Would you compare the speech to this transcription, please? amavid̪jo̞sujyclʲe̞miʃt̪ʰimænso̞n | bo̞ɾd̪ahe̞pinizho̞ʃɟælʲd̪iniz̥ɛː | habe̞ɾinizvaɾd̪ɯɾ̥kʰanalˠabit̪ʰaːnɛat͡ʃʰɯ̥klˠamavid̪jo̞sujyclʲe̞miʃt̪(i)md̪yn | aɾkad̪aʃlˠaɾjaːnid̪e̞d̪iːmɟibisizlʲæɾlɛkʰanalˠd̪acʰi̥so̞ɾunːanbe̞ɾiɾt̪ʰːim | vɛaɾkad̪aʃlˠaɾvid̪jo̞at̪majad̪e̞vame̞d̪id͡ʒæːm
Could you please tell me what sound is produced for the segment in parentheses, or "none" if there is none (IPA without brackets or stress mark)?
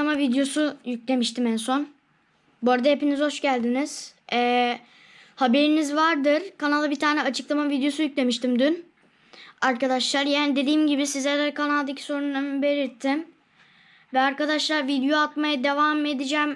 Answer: i